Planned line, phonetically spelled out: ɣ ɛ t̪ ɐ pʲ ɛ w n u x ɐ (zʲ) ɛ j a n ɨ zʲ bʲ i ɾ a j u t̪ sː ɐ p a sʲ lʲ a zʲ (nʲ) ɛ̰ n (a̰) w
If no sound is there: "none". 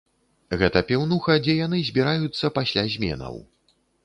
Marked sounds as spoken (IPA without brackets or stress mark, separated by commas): d͡zʲ, mʲ, ɐ̰